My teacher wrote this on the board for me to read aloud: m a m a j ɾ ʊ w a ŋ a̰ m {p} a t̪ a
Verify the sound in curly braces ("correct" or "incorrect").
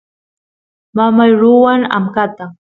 incorrect